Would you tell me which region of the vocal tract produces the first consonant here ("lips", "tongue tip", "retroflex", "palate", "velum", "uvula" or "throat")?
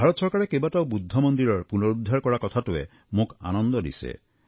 lips